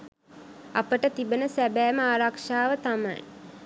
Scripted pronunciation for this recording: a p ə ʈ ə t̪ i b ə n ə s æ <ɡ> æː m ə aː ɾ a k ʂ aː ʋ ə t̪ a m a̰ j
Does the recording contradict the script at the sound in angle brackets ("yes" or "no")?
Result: yes